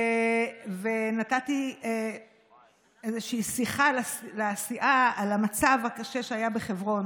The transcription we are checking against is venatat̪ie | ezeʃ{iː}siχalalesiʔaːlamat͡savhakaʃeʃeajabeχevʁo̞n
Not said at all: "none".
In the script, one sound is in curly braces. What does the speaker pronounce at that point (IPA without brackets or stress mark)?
iː